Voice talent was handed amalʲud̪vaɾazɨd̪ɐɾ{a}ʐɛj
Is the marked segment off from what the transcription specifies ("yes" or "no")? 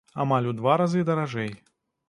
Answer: no